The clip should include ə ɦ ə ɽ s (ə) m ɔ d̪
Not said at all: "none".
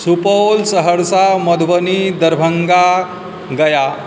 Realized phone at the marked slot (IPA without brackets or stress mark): a